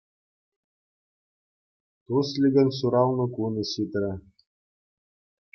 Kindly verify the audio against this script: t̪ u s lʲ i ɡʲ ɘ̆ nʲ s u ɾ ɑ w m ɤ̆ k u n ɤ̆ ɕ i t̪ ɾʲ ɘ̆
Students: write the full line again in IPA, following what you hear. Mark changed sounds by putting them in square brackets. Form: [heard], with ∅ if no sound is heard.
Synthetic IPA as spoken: t̪ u s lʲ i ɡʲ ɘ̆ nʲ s u ɾ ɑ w [n] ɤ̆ k u n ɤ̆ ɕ i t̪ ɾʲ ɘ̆